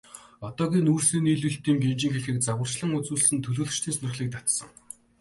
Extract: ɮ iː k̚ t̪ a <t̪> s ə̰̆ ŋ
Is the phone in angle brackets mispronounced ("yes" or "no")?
no